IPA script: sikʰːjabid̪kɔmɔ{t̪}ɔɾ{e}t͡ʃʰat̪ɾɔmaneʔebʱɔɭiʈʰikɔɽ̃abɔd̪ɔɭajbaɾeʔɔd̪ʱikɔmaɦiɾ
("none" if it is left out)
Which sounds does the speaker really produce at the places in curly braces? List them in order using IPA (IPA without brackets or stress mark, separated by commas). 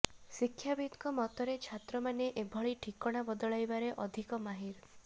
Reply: t̪, e